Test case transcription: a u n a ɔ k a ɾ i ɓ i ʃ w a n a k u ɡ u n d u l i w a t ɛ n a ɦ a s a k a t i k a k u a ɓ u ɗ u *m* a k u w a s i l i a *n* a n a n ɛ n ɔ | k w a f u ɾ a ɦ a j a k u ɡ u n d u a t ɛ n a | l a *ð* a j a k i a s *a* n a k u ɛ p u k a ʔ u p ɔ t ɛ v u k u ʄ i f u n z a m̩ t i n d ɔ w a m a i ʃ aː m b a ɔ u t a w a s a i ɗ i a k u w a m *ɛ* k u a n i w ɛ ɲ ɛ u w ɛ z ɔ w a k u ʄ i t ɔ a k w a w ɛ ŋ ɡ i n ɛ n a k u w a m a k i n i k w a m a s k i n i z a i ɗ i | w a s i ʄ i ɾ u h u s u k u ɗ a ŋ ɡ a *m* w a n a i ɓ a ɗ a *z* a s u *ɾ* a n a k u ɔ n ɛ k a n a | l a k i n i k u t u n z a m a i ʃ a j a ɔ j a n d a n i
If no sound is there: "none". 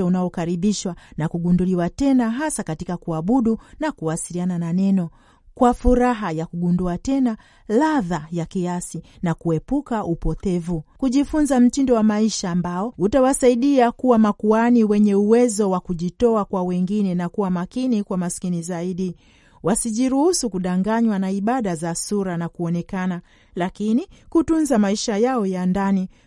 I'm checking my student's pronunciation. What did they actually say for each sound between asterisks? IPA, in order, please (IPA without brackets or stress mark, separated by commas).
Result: n, n, ð, i, a, ɲ, z, ɾ